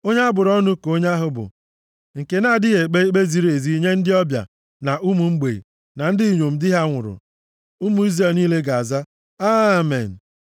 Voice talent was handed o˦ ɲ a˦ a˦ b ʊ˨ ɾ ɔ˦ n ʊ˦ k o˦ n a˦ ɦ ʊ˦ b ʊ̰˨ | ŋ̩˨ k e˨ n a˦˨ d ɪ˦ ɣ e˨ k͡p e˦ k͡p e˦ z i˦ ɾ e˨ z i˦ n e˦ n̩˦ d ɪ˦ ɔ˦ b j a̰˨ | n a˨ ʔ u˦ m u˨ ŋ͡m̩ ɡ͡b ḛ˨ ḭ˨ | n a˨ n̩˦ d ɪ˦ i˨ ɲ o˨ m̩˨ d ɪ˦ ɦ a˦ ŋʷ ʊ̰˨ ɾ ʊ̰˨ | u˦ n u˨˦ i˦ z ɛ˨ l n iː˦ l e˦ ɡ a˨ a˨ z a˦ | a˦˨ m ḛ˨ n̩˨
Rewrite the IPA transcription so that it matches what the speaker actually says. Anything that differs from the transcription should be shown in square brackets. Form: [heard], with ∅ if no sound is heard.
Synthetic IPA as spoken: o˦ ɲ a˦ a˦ b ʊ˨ ɾ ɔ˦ n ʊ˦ k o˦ [ɲ] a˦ ɦ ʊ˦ b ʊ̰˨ | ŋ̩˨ k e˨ n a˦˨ d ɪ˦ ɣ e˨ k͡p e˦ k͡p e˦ z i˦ ɾ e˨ z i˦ [ɲ] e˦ n̩˦ d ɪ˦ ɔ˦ b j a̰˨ | n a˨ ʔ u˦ m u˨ ŋ͡m̩ ɡ͡b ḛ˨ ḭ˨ | n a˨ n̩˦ d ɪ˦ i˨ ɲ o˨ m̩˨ d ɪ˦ ɦ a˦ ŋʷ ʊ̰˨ ɾ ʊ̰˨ | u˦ [m] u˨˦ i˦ z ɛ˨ l n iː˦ l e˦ ɡ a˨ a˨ z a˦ | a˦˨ m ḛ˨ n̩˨